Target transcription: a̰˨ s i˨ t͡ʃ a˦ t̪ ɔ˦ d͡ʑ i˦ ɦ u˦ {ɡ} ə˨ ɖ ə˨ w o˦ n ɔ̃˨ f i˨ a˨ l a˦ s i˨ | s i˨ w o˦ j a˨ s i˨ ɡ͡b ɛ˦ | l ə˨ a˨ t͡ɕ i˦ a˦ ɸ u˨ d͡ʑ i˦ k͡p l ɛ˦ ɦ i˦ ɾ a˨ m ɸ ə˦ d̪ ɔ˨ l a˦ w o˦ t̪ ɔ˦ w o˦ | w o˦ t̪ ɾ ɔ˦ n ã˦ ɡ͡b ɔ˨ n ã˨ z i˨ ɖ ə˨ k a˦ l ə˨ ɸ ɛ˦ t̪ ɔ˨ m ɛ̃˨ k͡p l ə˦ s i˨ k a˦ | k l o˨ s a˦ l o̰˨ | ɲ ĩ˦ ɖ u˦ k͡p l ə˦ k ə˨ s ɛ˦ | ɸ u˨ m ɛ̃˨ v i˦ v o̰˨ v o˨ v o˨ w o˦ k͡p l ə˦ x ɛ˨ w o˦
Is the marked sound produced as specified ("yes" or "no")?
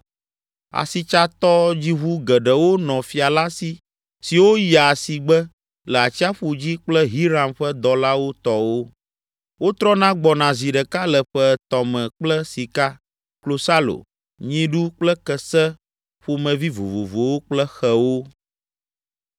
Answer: yes